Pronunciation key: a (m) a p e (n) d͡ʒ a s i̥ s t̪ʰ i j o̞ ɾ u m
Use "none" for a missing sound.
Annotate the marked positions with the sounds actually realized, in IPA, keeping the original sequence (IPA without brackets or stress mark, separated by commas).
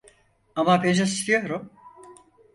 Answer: m, n